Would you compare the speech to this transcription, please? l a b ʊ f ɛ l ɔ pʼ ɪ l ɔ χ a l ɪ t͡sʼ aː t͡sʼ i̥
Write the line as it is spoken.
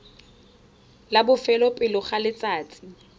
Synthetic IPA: l a b ʊ f ɛ l ɔ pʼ ɪ l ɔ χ a l ɪ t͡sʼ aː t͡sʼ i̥